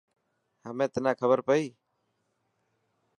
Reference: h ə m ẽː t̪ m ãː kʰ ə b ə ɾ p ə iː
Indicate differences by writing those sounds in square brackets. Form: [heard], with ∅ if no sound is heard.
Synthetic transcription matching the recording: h ə m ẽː t̪ [n] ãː kʰ ə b ə ɾ p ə iː